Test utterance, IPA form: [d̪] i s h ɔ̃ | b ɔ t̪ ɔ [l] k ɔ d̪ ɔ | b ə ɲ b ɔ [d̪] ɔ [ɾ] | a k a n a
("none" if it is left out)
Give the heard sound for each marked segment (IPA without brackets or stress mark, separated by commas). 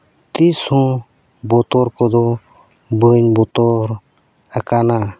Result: t̪, ɾ, t̪, ɾ